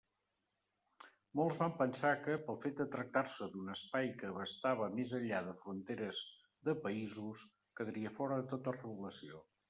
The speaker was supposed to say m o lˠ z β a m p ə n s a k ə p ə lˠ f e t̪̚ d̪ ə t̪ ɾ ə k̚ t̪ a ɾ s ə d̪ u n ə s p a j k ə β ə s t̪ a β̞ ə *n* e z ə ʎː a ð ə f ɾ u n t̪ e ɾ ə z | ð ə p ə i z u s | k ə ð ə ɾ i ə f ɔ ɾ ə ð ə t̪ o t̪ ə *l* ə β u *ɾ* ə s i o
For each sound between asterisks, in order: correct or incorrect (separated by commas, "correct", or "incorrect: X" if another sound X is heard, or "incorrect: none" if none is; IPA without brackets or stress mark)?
incorrect: m, incorrect: r, incorrect: l